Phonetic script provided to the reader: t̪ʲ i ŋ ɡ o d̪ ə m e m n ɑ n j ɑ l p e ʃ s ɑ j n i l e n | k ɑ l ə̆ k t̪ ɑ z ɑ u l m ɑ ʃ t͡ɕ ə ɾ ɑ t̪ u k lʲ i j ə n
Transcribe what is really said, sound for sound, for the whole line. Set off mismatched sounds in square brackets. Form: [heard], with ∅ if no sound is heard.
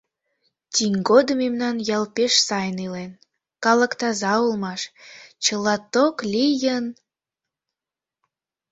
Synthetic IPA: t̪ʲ i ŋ ɡ o d̪ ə m e m n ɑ n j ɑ l p e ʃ s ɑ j n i l e n | k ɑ l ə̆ k t̪ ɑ z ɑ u l m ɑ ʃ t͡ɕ ə [l] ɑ t̪ [o] k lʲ i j ə n